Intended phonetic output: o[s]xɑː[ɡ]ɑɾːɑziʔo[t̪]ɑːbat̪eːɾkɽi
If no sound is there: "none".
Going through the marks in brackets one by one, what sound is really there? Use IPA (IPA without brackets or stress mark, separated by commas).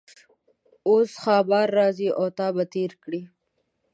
s, b, t̪